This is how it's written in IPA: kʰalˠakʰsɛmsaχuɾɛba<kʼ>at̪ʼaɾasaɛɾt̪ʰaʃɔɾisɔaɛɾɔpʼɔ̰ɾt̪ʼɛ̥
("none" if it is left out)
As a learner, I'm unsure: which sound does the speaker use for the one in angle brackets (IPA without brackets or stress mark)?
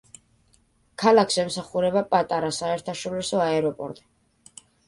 pʼ